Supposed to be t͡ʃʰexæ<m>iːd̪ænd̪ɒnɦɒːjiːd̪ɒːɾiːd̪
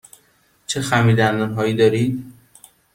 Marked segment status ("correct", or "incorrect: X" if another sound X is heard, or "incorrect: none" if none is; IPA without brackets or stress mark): correct